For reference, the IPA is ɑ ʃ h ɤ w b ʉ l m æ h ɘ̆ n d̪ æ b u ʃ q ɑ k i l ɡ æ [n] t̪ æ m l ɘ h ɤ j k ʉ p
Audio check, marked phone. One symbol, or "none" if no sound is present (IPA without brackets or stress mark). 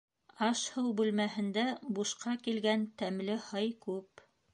n